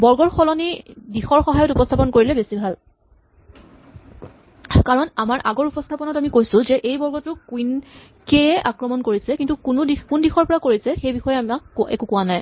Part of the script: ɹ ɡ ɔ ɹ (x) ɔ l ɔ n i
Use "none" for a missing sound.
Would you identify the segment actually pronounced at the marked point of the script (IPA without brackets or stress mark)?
x